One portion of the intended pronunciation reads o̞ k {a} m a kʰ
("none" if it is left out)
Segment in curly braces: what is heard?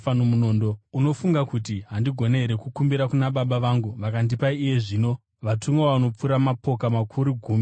a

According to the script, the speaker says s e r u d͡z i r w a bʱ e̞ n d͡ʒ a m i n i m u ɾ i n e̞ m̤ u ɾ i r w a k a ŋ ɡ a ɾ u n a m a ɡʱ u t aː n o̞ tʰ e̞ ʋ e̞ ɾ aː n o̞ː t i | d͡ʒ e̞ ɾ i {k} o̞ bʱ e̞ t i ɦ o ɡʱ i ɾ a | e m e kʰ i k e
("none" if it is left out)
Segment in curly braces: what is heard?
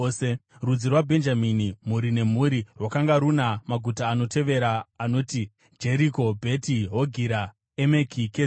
k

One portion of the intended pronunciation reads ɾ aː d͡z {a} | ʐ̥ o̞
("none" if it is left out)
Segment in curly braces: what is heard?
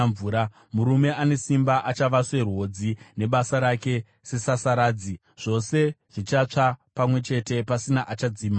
i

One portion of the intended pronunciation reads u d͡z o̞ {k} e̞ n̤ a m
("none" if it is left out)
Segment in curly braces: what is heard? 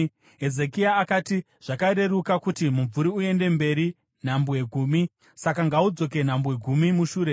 k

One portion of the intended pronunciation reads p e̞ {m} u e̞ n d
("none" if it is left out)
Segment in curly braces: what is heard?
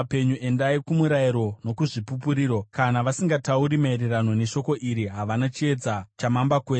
ɲ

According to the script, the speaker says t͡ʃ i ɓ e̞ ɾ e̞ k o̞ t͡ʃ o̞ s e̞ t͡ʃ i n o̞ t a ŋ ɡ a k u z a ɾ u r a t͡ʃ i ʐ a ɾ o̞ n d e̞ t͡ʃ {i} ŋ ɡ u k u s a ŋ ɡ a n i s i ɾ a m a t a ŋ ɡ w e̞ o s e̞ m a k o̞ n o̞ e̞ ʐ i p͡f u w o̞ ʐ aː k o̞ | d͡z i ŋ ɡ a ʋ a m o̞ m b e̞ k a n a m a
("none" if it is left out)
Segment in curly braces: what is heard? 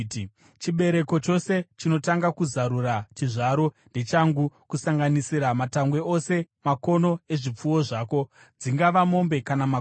a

